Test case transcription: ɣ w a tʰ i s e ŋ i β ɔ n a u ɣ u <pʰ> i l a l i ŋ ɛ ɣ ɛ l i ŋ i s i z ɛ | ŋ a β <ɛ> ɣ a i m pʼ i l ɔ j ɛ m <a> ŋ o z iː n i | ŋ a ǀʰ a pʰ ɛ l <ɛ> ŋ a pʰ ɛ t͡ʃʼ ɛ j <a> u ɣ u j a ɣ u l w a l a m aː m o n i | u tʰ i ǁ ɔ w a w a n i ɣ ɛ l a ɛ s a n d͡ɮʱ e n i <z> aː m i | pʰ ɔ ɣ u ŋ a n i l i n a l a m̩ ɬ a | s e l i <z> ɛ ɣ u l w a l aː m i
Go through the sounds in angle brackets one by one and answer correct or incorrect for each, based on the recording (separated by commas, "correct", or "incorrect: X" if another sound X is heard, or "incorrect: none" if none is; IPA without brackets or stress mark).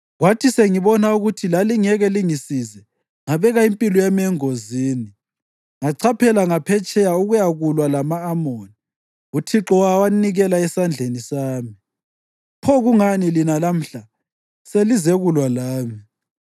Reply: incorrect: tʰ, correct, incorrect: ɛ, incorrect: a, correct, incorrect: s, correct